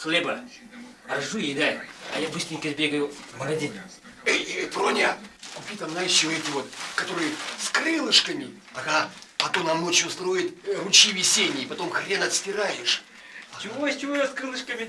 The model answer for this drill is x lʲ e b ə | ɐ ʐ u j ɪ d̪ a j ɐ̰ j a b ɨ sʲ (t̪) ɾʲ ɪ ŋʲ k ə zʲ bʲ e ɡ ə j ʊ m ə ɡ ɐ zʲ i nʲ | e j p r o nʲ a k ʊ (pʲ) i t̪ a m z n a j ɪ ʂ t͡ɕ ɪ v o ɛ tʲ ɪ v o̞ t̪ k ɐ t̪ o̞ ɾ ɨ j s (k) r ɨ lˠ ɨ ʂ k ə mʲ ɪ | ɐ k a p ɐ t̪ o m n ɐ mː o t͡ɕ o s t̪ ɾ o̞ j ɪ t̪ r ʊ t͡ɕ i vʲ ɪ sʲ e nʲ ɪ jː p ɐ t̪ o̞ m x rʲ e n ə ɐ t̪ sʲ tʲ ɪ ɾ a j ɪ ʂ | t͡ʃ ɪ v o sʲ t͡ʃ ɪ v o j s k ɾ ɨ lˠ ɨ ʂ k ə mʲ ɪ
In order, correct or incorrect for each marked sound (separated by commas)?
correct, correct, correct